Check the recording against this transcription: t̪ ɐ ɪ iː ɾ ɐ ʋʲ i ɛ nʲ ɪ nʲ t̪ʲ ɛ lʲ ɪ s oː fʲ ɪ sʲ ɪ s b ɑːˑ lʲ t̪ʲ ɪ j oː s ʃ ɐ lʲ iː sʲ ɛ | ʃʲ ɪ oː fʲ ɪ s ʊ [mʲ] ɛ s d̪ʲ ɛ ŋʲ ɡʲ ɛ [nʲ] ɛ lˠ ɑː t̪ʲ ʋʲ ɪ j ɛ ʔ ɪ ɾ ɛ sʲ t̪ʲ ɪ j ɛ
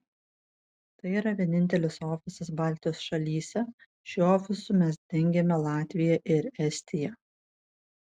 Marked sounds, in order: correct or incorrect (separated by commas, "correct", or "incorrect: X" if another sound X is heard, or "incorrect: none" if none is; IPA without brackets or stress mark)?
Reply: correct, incorrect: mʲ